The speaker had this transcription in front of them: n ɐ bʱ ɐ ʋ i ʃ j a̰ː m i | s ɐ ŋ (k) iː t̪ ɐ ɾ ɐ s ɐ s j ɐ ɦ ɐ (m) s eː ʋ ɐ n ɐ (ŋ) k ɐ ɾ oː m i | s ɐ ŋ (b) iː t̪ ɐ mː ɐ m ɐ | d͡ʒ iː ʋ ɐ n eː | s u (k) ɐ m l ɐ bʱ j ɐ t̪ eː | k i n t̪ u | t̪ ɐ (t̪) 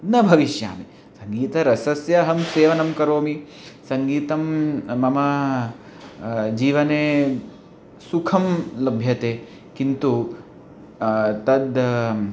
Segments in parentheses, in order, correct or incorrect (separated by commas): incorrect, correct, incorrect, incorrect, incorrect, incorrect